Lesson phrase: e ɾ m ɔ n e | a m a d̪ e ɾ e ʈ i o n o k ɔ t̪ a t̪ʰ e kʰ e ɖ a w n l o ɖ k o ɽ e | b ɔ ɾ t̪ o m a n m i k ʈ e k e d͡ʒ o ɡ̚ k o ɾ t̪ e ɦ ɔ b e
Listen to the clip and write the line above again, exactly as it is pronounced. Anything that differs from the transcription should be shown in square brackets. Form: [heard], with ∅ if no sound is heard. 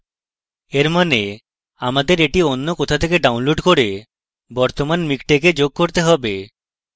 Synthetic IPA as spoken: e ɾ m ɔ n e | a m a d̪ e ɾ e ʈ i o [nː] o k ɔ [t̪ʰ] a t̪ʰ e [k] e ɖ a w n l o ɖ k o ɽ e | b ɔ ɾ t̪ o m a n m i k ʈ e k e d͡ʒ o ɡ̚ k o ɾ t̪ e ɦ ɔ b e